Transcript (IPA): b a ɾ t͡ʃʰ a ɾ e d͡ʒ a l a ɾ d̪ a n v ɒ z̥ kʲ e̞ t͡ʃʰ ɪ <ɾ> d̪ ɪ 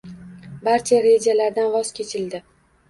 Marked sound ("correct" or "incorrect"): incorrect